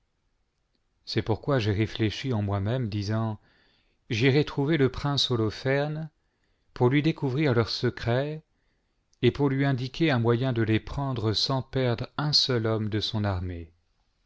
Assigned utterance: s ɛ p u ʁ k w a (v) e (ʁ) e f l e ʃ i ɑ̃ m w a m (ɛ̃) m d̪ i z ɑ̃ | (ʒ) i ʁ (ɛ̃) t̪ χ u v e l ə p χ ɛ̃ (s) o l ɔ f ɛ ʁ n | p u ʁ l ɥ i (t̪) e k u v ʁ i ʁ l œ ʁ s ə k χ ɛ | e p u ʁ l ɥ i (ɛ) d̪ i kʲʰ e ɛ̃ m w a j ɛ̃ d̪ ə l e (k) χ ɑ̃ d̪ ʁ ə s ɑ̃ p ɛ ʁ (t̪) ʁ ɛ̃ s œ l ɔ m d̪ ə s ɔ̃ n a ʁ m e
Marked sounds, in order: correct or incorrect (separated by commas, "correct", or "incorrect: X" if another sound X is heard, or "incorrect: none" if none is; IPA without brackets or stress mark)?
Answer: incorrect: ʒ, correct, incorrect: ɛ, correct, incorrect: ɛ, correct, incorrect: d̪, incorrect: ɛ̃, incorrect: p, incorrect: d̪